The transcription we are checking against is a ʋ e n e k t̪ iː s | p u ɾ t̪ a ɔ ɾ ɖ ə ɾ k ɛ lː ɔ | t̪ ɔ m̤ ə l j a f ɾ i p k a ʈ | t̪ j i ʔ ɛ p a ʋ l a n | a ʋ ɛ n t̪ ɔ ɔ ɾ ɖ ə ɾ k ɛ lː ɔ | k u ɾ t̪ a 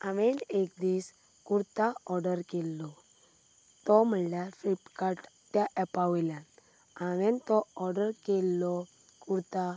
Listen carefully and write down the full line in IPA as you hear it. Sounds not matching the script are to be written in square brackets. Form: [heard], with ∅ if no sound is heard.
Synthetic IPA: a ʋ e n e k [d̪] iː s | [k] u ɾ t̪ a ɔ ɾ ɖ ə ɾ k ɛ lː ɔ | t̪ ɔ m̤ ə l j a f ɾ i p k a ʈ | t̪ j [a] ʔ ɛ p a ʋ l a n | a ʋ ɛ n t̪ ɔ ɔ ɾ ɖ ə ɾ k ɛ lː ɔ | k u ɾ t̪ a

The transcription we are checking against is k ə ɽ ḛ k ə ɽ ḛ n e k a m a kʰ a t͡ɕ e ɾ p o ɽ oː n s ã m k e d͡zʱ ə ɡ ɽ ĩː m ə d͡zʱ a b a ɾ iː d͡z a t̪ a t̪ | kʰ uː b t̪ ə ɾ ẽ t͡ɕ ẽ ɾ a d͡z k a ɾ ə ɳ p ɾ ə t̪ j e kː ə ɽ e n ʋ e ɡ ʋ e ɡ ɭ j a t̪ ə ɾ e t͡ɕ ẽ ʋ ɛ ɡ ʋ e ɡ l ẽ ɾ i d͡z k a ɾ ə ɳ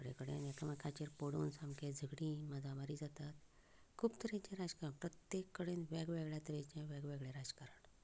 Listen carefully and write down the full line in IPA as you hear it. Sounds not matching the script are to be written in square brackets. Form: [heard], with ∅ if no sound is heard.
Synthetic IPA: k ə ɽ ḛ k ə ɽ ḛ n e k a m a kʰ a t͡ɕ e ɾ p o ɽ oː n s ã m k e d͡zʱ ə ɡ ɽ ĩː m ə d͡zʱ a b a ɾ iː d͡z a t̪ a t̪ | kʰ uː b t̪ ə ɾ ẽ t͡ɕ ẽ ɾ a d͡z k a ɾ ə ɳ p ɾ ə t̪ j e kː ə ɽ e n ʋ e ɡ ʋ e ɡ ɭ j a t̪ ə ɾ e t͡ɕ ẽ ʋ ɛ ɡ ʋ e ɡ [ɭ] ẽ ɾ [a] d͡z k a ɾ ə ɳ

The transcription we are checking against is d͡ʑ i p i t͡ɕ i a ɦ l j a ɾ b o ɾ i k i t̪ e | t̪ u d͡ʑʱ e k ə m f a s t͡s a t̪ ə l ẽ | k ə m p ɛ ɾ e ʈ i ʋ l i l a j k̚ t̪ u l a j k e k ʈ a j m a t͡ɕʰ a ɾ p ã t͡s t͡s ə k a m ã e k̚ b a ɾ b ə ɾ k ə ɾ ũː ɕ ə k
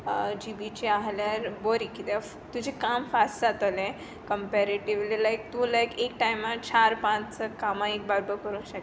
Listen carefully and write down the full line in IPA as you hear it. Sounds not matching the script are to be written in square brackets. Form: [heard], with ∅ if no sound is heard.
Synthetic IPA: d͡ʑ i [b] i t͡ɕ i a ɦ l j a ɾ b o ɾ i k i t̪ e | t̪ u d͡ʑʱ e k [a] m f a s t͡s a t̪ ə l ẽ | k ə m p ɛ ɾ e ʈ i ʋ l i l a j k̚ t̪ u l a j k e k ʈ a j m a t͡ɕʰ a ɾ p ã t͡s t͡s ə k a m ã e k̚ b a ɾ b ə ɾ k ə ɾ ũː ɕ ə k

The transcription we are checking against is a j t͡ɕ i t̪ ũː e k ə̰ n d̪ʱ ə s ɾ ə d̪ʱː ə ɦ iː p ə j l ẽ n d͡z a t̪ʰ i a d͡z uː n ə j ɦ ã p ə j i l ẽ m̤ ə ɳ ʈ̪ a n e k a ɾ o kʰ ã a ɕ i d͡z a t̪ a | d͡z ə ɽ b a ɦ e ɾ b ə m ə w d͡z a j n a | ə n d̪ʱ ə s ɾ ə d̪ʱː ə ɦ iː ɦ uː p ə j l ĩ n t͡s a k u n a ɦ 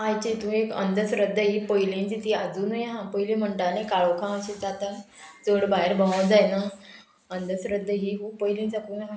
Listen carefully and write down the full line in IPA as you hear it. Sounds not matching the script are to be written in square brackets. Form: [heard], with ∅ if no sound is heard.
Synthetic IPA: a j t͡ɕ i t̪ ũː e k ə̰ n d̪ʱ ə s ɾ ə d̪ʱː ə ɦ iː p ə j l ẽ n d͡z [i] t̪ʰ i a d͡z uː n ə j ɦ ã p ə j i l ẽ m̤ ə ɳ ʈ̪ a n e k a [ɭ] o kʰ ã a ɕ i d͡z a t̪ a | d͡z ə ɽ b a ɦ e ɾ b ə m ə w d͡z a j n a | ə n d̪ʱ ə s ɾ ə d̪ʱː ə ɦ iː ɦ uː p ə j l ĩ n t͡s a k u n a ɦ

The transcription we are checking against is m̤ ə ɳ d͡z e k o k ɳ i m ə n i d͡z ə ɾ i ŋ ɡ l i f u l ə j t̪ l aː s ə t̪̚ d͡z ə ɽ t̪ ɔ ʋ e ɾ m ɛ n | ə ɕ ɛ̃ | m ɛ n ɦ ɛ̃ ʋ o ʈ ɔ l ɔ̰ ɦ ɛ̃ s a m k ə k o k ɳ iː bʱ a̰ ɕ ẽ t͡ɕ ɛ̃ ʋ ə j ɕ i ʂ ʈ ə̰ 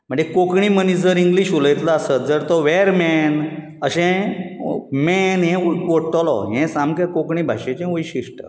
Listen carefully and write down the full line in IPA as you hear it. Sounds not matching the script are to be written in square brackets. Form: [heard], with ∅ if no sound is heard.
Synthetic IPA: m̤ ə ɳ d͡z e k o k ɳ i m ə n i d͡z ə ɾ i ŋ ɡ l i [ɕ] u l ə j t̪ l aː s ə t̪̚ d͡z ə [ɾ] t̪ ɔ ʋ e ɾ m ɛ n | ə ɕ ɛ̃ | m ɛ n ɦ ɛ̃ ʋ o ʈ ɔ l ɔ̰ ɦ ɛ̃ s a m k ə k o k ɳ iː bʱ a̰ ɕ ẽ t͡ɕ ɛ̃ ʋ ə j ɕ i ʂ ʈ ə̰

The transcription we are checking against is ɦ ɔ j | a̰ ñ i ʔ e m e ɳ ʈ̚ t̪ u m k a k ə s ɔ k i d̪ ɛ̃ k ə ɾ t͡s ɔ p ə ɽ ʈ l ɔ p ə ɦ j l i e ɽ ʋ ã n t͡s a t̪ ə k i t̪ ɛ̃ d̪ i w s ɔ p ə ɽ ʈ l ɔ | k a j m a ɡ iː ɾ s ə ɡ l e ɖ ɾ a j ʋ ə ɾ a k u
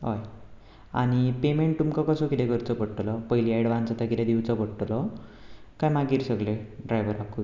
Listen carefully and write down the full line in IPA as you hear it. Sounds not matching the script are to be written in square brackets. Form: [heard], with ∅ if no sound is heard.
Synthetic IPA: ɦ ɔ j | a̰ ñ i [p] e m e ɳ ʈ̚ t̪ u m k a k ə s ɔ k i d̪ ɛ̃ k ə ɾ t͡s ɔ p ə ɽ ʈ l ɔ p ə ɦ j l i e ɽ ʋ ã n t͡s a t̪ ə k i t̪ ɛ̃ d̪ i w [t͡s] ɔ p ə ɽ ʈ l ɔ | k a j m a ɡ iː ɾ s ə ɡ l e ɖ ɾ a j ʋ ə ɾ a k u

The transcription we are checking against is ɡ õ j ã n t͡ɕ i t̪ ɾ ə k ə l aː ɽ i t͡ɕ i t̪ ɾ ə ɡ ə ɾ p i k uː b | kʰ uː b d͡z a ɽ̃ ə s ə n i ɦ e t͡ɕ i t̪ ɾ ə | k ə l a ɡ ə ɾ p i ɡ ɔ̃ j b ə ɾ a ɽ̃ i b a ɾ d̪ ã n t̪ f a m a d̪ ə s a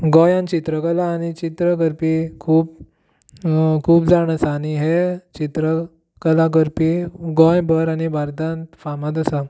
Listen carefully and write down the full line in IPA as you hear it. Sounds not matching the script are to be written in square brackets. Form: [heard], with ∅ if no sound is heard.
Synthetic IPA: ɡ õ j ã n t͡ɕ i t̪ ɾ ə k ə l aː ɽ i t͡ɕ i t̪ ɾ ə ɡ ə ɾ p i [kʰ] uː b | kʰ uː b d͡z a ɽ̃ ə s [a] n i ɦ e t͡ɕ i t̪ ɾ ə | k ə l a ɡ ə ɾ p i ɡ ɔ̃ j b ə ɾ a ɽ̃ i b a ɾ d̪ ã n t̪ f a m a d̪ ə s a

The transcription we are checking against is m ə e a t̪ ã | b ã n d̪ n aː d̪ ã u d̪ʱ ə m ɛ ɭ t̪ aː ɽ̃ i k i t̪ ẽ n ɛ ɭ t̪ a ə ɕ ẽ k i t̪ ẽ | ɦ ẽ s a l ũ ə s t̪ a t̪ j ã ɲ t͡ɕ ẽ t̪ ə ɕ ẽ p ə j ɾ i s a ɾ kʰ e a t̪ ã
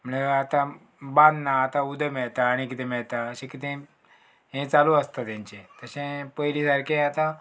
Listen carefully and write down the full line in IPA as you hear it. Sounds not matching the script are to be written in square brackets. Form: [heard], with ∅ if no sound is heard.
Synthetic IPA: m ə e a t̪ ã | b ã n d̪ n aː [t̪] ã u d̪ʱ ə m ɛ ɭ t̪ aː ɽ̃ i k i t̪ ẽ [m] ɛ ɭ t̪ a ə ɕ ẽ k i t̪ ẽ | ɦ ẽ [t͡s] a l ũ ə s t̪ a t̪ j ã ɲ t͡ɕ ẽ t̪ ə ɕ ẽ p ə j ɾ i s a ɾ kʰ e a t̪ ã

